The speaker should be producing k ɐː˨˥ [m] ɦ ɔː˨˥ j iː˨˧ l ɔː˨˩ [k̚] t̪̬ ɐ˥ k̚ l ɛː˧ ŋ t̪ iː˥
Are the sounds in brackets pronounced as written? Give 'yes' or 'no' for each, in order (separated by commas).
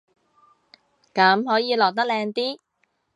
yes, yes